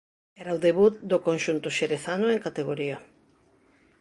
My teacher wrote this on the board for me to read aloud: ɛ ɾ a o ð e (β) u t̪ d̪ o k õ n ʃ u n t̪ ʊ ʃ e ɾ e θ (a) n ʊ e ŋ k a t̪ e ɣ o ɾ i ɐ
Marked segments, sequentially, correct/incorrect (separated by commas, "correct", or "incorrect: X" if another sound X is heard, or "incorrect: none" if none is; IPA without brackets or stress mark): correct, correct